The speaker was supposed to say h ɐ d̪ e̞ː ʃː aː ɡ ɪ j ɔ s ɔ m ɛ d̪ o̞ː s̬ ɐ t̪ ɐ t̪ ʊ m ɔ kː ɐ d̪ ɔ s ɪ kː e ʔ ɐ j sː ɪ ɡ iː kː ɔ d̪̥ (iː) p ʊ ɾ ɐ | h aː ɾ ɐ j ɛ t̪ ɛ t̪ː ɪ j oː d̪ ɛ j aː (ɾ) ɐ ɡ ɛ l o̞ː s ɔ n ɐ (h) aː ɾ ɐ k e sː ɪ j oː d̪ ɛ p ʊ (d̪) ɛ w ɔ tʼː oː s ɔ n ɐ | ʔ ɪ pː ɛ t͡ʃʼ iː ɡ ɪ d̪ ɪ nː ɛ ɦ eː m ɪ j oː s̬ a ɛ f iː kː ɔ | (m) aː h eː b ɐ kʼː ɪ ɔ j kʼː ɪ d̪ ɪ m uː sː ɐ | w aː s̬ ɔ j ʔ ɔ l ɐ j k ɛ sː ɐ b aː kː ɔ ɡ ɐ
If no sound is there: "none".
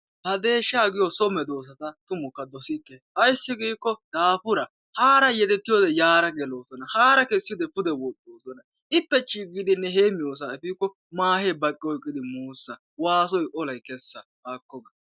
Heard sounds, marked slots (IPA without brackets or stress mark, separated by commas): aː, ɾ, h, d̪, m